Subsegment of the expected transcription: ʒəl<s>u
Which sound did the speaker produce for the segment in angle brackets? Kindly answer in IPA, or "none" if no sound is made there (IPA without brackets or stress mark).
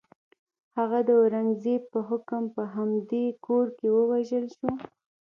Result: ʃ